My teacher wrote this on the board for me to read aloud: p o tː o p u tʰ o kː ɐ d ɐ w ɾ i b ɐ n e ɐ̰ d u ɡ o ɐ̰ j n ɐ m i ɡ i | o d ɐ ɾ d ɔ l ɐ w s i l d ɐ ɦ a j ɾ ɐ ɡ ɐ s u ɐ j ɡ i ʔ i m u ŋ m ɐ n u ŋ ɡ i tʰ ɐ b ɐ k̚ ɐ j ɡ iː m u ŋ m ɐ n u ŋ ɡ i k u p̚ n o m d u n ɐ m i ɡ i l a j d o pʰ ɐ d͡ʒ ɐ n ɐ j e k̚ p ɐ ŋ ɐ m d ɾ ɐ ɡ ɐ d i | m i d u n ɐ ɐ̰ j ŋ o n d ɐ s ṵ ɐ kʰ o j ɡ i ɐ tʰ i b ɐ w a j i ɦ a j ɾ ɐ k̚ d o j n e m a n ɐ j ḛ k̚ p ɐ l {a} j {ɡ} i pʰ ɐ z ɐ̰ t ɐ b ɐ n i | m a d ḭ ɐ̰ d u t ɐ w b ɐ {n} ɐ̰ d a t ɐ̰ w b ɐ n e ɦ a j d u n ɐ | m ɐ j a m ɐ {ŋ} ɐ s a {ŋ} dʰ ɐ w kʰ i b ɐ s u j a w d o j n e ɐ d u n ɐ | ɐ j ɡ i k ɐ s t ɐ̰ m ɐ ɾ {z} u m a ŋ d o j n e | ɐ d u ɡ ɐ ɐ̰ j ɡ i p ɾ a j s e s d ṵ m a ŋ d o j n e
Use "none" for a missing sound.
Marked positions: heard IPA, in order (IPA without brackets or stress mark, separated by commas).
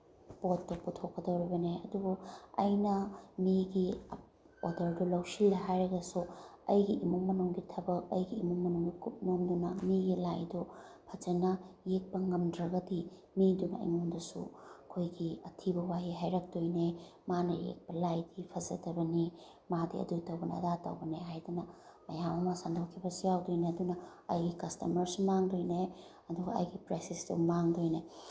a, d, n, m, n, s